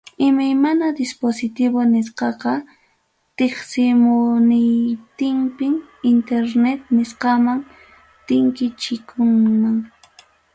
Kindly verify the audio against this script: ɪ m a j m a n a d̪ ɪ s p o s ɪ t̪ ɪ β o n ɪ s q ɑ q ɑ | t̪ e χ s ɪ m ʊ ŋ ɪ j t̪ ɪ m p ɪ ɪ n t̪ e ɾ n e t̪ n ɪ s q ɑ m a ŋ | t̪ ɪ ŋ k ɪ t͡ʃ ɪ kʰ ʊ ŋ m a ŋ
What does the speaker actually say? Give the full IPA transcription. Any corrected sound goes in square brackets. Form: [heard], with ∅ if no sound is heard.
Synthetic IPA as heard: ɪ m a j m a n a d̪ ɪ s p o s ɪ t̪ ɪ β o n ɪ s q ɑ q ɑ | t̪ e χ s ɪ m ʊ [n] ɪ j t̪ ɪ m p ɪ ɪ n t̪ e ɾ n e t̪ n ɪ s q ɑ m a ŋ | t̪ ɪ ŋ k ɪ t͡ʃ ɪ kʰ ʊ ŋ m a ŋ